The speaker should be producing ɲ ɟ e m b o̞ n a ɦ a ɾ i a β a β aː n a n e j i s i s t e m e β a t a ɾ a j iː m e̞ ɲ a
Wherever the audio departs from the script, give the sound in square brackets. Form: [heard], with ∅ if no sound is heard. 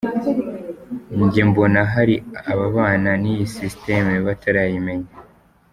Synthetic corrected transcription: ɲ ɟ e m b o̞ n a ɦ a ɾ i a β a β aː n a n [i] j i s i s t e m e β a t a ɾ a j [i] m e̞ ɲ a